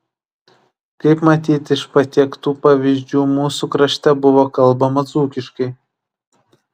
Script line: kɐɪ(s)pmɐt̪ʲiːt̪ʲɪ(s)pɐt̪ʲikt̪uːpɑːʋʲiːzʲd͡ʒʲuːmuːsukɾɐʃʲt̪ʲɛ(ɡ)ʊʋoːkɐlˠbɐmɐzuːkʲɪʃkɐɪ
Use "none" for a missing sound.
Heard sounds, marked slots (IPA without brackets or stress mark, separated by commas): none, ʃ, b